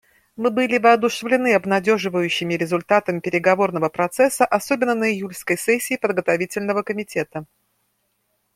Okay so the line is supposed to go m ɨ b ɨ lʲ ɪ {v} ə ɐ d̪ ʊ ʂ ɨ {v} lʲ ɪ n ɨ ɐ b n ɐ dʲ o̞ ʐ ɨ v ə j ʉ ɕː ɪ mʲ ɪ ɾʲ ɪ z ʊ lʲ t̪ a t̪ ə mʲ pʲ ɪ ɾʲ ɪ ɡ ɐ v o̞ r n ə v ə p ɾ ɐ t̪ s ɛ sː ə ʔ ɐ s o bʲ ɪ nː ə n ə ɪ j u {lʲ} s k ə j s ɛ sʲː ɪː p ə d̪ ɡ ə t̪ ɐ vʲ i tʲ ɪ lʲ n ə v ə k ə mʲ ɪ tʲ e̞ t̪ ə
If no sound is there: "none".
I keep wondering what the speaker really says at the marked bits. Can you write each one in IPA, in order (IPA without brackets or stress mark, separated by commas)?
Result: v, v, lʲ